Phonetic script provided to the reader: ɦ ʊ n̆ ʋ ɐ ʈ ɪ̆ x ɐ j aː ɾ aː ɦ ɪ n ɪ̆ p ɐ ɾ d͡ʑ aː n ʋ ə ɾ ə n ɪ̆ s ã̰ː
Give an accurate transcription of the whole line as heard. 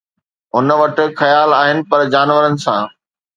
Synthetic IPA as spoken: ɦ ʊ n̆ ʋ ɐ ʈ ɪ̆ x ɐ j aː l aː ɦ ɪ n ɪ̆ p ɐ ɾ d͡ʑ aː n ʋ ə ɾ ə n ɪ̆ s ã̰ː

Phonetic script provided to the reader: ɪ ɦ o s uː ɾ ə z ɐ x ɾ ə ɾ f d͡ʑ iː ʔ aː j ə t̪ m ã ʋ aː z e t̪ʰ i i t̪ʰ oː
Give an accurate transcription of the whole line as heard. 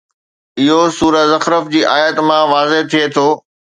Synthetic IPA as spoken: ɪ ɦ o s uː ɾ ə z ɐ x ɾ ə f d͡ʑ iː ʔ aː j ə t̪ m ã ʋ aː z e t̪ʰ i e t̪ʰ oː

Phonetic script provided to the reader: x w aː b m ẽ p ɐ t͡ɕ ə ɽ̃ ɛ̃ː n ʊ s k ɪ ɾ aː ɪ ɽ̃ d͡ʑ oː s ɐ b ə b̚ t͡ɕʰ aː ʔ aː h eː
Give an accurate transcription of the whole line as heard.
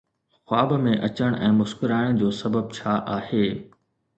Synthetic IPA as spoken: x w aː b m ẽ ʔ ɐ t͡ɕ ə ɽ̃ ɛ̃ː m ʊ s k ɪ ɾ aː ɪ ɽ̃ d͡ʑ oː s ɐ b ə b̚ t͡ɕʰ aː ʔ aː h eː

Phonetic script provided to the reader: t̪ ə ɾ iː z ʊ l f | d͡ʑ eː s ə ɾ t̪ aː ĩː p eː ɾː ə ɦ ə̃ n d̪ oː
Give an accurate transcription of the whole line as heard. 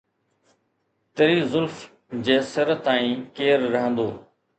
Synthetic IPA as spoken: t̪ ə ɾ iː z ʊ l f | d͡ʑ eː s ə ɾ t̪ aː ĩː k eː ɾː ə ɦ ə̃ n d̪ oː

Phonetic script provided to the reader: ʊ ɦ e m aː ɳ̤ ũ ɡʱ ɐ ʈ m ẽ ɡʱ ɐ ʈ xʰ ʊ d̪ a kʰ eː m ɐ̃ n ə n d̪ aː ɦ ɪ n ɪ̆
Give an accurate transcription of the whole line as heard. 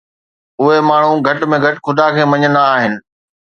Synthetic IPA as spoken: ʊ ɦ e m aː ɳ̤ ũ ɡʱ ɐ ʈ m ẽ ɡʱ ɐ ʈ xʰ ʊ d̪ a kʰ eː m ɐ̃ ɲ ə n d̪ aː ɦ ɪ n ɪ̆

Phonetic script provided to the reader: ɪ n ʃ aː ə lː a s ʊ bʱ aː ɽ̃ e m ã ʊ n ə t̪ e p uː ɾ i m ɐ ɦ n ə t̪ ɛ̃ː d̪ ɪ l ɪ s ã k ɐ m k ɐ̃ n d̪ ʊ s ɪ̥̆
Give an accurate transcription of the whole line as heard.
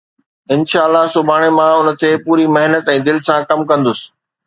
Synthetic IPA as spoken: ɪ n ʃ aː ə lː a s ʊ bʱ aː ɽ̃ e m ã ʊ n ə t̪ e p uː ɾ i m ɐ ɦ n ə t̪ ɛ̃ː d̪ ɪ l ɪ s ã k ɐ m k ɐ̃ n d̪ ʊ s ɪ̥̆

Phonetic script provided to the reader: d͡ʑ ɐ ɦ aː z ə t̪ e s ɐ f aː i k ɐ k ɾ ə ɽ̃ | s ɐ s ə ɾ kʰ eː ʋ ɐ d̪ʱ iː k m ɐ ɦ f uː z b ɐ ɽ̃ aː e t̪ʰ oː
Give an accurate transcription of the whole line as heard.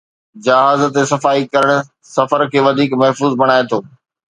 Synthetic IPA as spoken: d͡ʑ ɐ ɦ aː z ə t̪ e s ɐ f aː i k ɐ ɾ ə ɽ̃ | s ɐ f ə ɾ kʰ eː ʋ ɐ d̪ʱ iː k m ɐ ɦ f uː z b ɐ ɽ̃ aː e t̪ʰ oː

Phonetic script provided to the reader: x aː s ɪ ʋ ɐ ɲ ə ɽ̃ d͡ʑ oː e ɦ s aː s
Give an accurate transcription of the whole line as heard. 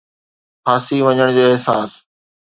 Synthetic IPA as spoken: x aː s i ʋ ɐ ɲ ə ɽ̃ d͡ʑ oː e ɦ s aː s

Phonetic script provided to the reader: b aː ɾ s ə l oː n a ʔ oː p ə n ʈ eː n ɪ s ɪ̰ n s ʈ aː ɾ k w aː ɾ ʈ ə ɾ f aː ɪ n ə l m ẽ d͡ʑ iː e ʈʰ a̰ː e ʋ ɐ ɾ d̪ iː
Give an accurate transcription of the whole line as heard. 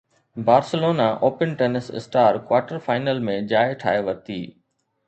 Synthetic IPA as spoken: b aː ɾ s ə l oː n a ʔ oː p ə n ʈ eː n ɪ s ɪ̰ s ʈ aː ɾ k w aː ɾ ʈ ə ɾ f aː ɪ n ə l m ẽ d͡ʑ aː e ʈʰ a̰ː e ʋ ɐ ɾ t̪ iː

